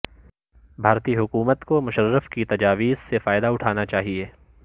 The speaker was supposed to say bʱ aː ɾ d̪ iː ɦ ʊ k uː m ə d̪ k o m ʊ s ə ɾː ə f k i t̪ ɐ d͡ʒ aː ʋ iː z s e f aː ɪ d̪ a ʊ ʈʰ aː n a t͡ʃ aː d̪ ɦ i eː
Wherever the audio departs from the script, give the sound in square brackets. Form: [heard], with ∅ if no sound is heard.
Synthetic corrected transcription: bʱ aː ɾ [t̪] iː ɦ ʊ k uː m ə [t̪] k o m ʊ [ʃ] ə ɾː ə f k i t̪ ɐ d͡ʒ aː ʋ iː z s e f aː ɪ d̪ a ʊ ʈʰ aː n a t͡ʃ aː [∅] ɦ i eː